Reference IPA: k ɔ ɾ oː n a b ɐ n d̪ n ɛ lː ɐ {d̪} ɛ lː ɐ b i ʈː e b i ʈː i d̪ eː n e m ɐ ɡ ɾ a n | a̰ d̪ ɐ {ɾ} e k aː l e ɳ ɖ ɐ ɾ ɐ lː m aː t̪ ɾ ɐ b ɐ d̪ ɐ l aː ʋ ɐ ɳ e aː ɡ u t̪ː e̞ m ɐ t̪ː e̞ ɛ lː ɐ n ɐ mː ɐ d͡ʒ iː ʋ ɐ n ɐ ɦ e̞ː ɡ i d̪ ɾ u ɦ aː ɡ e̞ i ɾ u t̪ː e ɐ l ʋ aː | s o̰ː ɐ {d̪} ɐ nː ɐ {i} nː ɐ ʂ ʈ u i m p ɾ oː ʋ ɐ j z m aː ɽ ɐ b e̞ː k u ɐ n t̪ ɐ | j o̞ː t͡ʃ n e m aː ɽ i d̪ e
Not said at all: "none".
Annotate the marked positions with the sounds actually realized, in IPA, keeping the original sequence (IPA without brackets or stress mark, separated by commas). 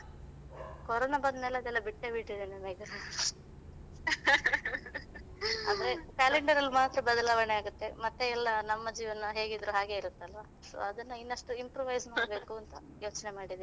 d̪, ɾ, d̪, i